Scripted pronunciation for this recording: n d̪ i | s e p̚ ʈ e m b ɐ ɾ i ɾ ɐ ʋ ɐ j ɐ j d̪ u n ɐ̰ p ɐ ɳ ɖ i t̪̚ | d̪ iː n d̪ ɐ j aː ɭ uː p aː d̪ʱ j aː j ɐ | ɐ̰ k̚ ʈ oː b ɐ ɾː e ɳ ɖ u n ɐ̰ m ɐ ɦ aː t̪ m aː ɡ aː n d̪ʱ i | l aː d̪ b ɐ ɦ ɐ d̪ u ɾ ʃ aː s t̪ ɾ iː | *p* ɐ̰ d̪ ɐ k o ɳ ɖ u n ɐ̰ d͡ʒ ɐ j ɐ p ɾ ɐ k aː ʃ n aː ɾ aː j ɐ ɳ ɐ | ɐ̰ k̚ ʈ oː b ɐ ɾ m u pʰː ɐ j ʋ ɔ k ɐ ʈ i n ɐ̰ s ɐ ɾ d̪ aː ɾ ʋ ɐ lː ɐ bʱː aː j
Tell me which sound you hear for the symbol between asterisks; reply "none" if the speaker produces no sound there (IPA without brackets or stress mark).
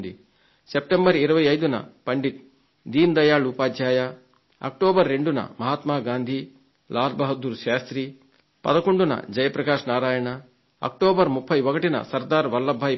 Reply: p